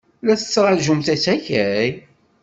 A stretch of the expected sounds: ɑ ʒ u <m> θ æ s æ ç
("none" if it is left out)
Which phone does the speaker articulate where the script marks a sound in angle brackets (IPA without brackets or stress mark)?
m